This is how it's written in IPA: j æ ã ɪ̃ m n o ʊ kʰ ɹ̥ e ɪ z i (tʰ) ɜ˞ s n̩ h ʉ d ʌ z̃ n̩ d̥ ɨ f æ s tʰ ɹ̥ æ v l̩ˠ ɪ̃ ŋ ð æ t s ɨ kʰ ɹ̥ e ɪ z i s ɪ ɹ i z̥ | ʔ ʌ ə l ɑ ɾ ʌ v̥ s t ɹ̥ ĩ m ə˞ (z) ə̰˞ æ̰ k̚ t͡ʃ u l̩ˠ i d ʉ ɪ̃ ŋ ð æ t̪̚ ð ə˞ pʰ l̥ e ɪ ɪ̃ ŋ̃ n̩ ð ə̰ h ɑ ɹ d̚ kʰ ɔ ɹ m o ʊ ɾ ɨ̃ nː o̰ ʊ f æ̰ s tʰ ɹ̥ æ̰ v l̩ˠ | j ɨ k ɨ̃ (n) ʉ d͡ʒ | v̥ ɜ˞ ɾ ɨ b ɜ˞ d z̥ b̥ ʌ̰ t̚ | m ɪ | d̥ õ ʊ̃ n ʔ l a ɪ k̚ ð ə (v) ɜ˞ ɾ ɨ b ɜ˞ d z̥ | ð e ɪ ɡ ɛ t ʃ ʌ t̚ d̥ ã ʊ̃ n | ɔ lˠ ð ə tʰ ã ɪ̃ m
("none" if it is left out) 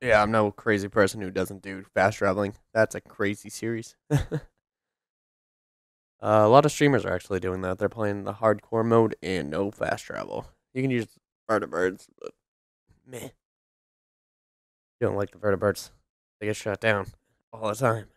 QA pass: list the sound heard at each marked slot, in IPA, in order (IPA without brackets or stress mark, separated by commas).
pʰ, z, n, v